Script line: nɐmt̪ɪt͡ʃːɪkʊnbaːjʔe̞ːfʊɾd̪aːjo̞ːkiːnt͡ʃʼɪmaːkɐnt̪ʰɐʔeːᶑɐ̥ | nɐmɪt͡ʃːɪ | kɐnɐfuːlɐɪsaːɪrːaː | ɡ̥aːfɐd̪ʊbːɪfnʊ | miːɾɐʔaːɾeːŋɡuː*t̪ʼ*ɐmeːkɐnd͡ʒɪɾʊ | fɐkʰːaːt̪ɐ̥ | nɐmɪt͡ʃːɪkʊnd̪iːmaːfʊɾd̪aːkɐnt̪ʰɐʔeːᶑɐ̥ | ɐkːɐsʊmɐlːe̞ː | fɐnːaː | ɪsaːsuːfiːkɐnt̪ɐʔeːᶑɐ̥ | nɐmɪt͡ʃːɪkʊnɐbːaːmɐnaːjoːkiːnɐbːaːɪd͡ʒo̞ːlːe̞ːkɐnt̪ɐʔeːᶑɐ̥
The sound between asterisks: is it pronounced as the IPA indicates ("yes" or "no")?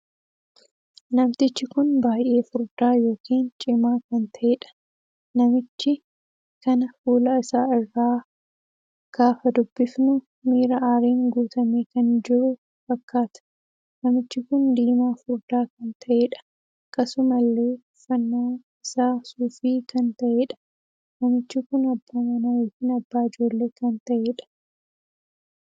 no